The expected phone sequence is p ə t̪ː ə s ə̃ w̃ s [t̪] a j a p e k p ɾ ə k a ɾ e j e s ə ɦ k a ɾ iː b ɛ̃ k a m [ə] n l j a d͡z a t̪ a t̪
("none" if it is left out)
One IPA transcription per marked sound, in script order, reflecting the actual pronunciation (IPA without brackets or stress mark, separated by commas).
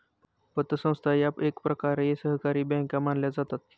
t̪ʰ, a